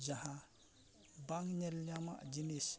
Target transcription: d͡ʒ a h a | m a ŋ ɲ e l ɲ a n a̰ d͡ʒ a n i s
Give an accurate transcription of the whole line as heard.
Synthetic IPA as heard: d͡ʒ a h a | b a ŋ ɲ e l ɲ a m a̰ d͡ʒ i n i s

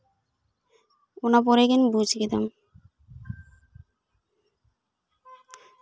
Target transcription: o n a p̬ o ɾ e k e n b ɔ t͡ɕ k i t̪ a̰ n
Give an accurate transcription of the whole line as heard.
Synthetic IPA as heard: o n a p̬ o ɾ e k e n b u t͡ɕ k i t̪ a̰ m

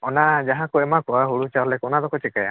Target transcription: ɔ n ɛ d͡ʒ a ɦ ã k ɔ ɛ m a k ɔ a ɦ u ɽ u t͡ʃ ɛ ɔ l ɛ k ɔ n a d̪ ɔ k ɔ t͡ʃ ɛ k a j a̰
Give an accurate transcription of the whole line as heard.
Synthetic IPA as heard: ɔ n a d͡ʒ a ɦ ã k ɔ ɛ m a k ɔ a ɦ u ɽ u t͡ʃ a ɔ l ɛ k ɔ n a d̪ ɔ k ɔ t͡ʃ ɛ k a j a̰

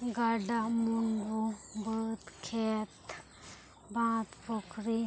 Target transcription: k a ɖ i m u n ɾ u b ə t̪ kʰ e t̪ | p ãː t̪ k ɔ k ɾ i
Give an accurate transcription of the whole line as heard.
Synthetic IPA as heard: ɡ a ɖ a m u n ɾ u b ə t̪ kʰ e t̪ | b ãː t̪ p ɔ k ɾ i

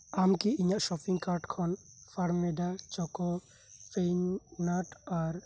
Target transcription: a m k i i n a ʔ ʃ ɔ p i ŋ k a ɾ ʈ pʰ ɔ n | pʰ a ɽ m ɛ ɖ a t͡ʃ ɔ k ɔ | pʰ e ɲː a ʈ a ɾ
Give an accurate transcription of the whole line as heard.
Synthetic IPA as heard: a m k i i ɲ a ʔ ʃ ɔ p i ŋ k a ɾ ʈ kʰ ɔ n | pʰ a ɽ m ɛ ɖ a t͡ʃ ɔ k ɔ | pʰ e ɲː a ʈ a ɾ

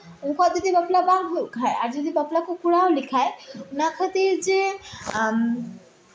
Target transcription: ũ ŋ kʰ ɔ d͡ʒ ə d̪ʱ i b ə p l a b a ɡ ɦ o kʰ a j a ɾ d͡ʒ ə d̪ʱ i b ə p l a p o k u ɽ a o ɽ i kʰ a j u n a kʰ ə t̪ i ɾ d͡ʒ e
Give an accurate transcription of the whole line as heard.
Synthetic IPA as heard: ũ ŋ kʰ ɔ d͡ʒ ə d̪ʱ i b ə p l a b a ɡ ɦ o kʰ a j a ɾ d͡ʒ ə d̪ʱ i b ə p l a k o k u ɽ a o l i kʰ a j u n a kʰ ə t̪ i ɾ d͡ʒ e

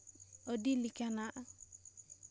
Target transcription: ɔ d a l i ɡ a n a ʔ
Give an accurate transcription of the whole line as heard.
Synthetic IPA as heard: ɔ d i l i k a n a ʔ

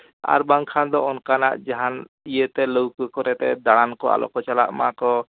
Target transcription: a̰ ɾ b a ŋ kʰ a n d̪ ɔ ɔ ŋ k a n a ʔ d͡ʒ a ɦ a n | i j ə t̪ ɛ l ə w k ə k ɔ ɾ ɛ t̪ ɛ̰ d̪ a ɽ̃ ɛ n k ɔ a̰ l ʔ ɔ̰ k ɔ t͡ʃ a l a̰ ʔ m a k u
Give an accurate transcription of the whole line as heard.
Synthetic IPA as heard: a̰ ɾ b a ŋ kʰ a n d̪ ɔ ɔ n k a n a ʔ d͡ʒ a ɦ a n | i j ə t̪ ɛ l ə w k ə k ɔ ɾ ɛ t̪ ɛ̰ d̪ a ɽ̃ a n k ɔ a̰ l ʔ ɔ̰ k ɔ t͡ʃ a l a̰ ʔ m a k ɔ

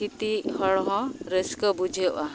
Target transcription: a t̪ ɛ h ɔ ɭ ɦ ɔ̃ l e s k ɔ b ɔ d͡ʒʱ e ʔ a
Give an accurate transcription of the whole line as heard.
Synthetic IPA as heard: i t̪ i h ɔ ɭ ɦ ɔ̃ ɾ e s k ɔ b u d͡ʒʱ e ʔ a

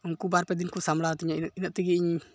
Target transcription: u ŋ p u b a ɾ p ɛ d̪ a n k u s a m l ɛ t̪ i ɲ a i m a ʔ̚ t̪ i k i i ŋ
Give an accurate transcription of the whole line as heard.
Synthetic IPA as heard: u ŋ k u b a ɾ p ɛ d̪ i n k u s a m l a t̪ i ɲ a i n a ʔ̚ t̪ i ɡ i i ɲ

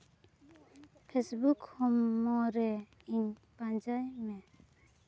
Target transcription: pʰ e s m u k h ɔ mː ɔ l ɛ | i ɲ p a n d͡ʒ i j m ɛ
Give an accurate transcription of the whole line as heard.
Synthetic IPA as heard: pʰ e s b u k h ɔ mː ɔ ɾ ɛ | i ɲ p a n d͡ʒ a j m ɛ

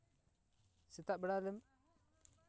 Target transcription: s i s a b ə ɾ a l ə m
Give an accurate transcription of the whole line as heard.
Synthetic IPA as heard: s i t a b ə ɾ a l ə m

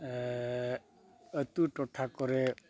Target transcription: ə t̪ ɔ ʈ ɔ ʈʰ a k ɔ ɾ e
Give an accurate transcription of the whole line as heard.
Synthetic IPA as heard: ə t̪ u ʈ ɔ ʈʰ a k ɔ ɾ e

